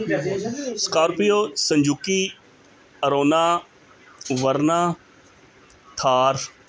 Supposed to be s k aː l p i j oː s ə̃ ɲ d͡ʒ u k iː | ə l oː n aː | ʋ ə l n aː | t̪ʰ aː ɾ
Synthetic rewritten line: s k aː ɾ p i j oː s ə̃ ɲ d͡ʒ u k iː | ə ɾ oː n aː | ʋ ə ɾ n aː | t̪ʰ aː ɾ